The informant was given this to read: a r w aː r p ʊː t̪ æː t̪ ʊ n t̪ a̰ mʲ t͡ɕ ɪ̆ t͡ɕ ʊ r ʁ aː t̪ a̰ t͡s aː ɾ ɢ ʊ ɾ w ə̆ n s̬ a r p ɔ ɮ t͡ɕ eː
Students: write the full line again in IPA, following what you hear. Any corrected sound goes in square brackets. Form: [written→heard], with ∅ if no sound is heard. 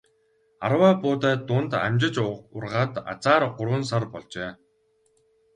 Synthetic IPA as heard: a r w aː [r→∅] p ʊː t̪ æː t̪ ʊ n t̪ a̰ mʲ t͡ɕ ɪ̆ t͡ɕ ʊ r ʁ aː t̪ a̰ t͡s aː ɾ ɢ ʊ ɾ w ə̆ n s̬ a r p ɔ ɮ t͡ɕ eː